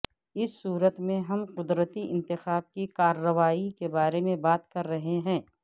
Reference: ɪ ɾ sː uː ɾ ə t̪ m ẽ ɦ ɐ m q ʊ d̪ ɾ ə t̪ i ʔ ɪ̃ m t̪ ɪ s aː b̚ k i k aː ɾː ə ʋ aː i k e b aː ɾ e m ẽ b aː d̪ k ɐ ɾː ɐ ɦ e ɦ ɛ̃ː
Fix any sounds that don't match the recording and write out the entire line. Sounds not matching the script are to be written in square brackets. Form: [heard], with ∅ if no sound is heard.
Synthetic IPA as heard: ɪ [∅] sː uː ɾ ə t̪ m ẽ ɦ ɐ m q ʊ d̪ ɾ ə t̪ i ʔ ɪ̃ [n] t̪ ɪ [x] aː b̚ k i k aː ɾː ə ʋ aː i k e b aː ɾ e m ẽ b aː [t̪] k ɐ ɾː ɐ ɦ e ɦ ɛ̃ː